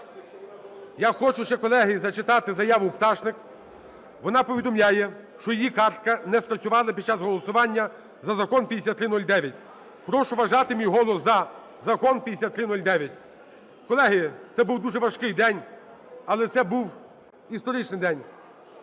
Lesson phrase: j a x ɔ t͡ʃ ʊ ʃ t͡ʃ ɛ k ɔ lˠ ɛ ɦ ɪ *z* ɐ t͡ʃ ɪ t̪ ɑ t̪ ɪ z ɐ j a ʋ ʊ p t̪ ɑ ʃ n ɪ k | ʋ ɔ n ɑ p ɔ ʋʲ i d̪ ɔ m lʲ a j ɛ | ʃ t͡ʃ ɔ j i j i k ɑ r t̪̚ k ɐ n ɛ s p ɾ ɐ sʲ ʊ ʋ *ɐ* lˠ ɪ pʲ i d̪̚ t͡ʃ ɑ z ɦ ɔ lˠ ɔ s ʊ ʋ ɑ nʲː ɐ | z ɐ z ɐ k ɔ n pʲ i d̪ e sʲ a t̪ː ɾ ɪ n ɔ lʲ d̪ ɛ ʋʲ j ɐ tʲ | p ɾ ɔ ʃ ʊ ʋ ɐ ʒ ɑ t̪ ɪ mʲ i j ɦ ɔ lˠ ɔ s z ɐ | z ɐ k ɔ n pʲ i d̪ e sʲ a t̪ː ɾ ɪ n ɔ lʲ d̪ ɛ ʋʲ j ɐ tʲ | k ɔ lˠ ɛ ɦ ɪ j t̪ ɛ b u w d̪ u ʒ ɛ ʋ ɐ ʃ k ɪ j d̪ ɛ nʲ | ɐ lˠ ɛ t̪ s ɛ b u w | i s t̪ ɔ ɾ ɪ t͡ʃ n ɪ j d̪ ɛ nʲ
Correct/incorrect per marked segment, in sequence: correct, incorrect: ɑ

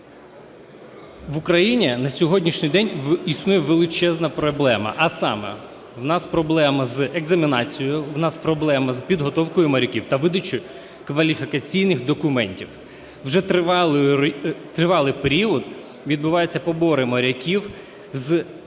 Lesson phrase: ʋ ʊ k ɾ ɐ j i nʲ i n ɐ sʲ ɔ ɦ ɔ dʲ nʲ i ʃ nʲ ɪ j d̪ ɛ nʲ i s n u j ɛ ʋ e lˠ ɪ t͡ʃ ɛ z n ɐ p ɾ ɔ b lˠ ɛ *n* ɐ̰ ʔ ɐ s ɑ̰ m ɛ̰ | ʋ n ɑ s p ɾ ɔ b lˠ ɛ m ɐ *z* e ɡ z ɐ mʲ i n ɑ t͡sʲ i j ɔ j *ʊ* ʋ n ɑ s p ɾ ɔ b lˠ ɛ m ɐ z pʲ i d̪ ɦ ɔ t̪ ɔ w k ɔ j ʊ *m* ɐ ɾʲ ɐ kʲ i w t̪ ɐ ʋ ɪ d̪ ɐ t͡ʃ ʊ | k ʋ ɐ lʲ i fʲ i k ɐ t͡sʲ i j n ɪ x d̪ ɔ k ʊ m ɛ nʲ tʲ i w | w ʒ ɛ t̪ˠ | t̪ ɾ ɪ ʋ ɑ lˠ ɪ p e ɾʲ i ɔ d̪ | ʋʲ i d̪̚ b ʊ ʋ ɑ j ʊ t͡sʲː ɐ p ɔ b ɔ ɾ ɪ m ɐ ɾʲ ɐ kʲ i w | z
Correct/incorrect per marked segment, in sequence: incorrect: m, correct, correct, correct

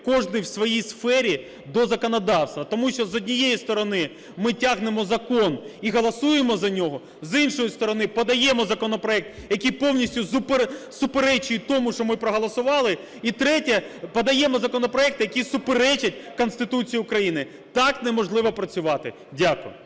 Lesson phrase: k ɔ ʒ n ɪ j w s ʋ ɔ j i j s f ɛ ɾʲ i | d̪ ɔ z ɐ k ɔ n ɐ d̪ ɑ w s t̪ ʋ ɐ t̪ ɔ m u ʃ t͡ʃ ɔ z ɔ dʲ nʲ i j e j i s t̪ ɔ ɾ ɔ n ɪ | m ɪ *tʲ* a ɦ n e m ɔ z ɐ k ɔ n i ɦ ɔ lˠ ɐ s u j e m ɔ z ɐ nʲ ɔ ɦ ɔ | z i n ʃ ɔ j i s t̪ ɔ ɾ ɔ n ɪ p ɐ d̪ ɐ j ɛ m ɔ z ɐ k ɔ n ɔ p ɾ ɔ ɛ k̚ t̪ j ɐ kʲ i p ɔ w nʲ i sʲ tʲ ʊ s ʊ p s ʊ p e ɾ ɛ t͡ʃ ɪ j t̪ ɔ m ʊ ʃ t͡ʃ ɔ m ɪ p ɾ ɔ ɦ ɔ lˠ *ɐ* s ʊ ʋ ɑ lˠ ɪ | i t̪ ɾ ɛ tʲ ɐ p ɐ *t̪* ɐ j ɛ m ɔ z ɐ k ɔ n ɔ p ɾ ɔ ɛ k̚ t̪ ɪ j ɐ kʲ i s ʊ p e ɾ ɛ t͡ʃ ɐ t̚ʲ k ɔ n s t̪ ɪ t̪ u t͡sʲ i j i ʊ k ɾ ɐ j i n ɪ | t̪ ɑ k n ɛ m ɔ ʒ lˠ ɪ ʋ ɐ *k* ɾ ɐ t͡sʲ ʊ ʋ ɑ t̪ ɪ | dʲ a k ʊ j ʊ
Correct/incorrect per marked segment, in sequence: correct, correct, incorrect: d̪, incorrect: p

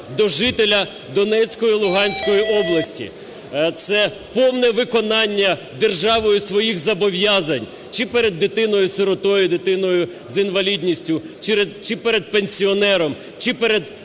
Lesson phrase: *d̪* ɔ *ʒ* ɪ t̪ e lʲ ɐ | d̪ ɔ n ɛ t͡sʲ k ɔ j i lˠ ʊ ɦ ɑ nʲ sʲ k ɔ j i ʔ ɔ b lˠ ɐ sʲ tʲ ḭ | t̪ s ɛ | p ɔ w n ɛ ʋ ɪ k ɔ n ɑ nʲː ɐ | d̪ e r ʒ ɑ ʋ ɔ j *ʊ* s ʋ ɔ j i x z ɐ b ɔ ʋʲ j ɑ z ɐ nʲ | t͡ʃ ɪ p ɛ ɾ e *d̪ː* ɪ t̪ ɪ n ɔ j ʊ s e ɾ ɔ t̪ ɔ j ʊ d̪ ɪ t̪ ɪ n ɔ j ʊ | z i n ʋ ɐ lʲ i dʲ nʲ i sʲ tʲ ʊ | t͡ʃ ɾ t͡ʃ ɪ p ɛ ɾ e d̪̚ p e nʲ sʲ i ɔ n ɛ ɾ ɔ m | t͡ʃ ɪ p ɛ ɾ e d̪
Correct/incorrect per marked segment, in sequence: correct, correct, correct, correct

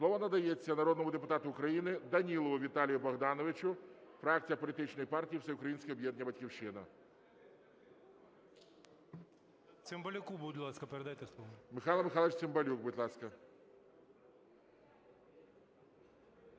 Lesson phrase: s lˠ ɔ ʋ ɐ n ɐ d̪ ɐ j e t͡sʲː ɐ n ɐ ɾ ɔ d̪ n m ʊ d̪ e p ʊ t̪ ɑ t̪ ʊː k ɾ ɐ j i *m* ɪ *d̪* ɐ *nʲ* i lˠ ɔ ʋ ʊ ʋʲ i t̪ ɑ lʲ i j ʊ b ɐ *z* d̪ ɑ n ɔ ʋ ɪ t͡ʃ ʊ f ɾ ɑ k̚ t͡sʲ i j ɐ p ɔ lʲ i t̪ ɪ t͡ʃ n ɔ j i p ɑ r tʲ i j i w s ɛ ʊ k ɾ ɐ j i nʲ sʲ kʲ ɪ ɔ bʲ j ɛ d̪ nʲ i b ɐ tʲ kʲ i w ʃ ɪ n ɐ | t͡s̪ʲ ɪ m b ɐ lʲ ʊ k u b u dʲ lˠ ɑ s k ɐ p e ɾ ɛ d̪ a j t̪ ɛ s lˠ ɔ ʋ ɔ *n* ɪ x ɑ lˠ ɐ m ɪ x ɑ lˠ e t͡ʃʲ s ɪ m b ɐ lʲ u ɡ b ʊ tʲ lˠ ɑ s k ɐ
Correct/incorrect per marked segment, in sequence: incorrect: n, correct, correct, incorrect: ɣ, incorrect: m

